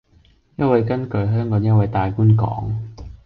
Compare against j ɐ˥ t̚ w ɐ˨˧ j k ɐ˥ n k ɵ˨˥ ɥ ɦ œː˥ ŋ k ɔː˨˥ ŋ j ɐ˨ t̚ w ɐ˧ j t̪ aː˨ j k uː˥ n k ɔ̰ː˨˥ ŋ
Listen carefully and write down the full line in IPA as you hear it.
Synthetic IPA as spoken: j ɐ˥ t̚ w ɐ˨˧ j k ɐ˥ n k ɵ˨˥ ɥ ɦ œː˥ ŋ k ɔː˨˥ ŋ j ɐ˥ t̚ w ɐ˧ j t̪ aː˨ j k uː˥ n k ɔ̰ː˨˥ ŋ